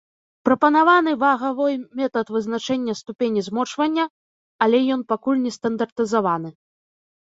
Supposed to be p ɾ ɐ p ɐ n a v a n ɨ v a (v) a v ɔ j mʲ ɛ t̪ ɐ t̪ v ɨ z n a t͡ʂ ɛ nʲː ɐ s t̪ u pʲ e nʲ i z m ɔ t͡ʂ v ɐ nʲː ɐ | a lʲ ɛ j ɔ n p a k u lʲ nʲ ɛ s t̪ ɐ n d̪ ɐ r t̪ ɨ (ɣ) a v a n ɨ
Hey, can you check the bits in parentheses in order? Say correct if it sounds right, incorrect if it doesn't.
incorrect: ɣ, incorrect: z

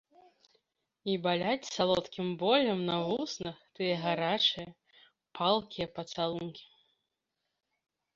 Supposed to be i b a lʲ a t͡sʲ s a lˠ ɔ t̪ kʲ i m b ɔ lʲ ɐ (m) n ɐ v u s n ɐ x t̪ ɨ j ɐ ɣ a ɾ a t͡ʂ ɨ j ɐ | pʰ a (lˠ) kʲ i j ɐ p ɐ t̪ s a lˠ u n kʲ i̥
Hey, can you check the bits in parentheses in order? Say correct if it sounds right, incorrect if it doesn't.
correct, correct

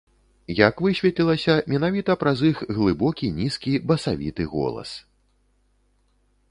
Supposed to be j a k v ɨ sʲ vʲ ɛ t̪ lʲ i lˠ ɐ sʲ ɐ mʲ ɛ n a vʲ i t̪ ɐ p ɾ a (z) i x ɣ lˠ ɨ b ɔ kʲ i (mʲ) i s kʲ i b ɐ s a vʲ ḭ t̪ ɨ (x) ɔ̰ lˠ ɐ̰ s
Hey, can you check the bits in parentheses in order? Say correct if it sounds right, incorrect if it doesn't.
correct, incorrect: nʲ, incorrect: ɣ

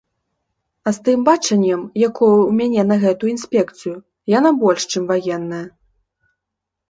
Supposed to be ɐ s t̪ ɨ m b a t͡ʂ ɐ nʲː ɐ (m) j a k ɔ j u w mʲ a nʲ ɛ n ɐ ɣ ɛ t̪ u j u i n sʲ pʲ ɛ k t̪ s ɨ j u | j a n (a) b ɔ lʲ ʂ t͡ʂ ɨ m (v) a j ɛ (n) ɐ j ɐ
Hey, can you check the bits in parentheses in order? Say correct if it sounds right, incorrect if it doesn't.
correct, correct, correct, incorrect: nː

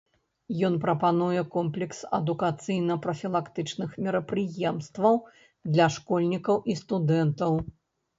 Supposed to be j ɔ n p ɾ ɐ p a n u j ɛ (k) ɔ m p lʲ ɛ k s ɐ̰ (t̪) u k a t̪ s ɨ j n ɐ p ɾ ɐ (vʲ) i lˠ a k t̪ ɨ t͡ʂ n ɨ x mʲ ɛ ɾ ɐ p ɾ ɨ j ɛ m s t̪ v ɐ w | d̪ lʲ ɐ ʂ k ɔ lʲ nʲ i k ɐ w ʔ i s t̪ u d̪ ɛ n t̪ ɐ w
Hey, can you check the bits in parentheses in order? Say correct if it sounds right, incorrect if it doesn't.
correct, incorrect: d̪, incorrect: fʲ

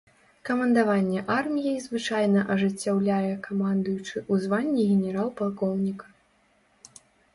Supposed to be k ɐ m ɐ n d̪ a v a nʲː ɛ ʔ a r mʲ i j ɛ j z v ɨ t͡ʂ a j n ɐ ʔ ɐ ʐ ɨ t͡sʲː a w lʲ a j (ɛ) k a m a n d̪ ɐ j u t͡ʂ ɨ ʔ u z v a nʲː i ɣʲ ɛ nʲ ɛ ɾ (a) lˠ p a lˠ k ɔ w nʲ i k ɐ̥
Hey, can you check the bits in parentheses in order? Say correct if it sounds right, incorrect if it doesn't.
correct, correct

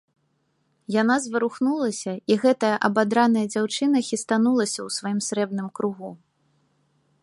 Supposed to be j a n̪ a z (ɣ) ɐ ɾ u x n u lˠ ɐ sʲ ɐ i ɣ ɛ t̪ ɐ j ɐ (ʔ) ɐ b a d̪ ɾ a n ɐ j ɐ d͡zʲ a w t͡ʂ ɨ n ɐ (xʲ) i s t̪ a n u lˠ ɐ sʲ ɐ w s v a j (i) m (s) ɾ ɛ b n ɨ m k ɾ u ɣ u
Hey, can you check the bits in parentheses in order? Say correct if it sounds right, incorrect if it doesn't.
incorrect: v, correct, correct, correct, correct

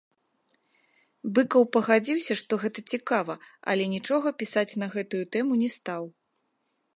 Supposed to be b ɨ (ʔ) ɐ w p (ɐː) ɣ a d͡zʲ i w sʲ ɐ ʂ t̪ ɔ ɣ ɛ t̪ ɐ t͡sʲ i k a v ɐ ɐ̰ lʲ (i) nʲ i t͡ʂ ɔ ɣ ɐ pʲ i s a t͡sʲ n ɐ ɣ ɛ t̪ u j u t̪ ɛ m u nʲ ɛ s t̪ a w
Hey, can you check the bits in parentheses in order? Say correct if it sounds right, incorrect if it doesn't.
incorrect: k, incorrect: ɐ, incorrect: ɛ

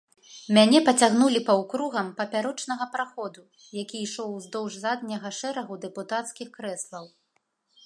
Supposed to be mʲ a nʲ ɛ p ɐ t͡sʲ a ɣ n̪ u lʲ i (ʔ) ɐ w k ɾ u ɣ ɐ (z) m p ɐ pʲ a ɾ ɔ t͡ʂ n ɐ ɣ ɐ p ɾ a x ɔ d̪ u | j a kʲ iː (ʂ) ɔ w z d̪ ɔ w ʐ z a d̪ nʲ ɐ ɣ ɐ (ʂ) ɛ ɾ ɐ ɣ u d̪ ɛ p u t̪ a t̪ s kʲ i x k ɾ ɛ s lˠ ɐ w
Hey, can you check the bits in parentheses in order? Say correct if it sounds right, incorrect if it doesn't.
incorrect: p, incorrect: none, correct, correct

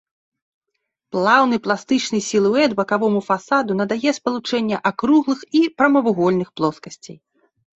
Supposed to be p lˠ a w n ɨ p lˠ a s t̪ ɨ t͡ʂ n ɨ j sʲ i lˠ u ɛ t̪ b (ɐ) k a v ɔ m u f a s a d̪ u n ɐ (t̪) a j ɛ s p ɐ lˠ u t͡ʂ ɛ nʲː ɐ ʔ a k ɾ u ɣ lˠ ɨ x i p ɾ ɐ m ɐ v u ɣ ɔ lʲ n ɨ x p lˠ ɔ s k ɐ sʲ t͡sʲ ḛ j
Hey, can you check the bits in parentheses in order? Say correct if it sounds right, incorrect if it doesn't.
correct, incorrect: d̪

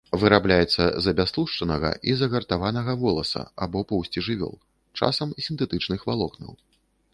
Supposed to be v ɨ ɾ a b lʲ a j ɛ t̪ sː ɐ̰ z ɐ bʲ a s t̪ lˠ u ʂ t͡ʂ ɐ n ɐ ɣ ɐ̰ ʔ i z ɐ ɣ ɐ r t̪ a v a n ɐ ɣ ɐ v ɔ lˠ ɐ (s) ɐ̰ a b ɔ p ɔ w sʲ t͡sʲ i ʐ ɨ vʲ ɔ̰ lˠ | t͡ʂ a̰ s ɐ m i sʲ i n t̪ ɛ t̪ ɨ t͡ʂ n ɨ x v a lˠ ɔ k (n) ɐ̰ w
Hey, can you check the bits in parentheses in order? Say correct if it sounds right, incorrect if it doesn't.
correct, correct

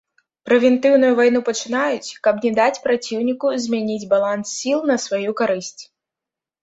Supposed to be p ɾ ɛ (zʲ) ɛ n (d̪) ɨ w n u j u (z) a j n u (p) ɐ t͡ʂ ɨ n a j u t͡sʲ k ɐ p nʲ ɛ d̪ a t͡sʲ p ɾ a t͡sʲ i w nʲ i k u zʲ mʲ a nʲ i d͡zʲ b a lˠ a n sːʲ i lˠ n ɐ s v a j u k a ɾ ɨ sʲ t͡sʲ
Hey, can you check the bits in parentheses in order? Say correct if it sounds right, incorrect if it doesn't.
incorrect: vʲ, incorrect: t̪, incorrect: v, correct

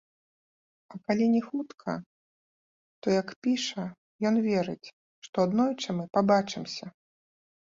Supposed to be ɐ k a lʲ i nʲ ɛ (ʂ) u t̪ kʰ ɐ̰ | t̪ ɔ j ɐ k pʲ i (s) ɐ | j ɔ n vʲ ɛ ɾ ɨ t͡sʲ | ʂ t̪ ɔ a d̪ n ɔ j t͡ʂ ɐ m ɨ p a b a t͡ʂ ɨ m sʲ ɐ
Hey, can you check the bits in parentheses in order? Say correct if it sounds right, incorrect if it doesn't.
incorrect: x, incorrect: ʂ

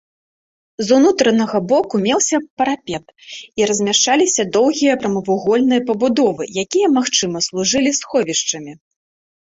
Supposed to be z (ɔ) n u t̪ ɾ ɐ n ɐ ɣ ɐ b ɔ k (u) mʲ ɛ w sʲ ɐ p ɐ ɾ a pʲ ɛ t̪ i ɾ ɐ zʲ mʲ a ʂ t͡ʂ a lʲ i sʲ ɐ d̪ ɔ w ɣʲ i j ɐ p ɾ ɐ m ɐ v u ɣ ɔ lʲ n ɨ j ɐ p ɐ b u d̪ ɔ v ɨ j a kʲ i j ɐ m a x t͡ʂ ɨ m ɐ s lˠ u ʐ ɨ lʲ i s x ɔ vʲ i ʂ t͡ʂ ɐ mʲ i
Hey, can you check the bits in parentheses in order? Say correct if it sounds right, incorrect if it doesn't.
incorrect: u, correct

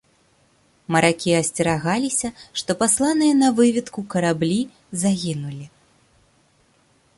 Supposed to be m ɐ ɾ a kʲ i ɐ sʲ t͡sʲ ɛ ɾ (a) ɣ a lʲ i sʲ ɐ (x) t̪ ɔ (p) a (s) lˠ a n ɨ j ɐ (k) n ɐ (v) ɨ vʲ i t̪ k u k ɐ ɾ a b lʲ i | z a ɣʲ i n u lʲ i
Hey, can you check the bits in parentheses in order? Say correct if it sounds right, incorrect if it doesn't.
correct, incorrect: ʂ, correct, correct, incorrect: none, correct

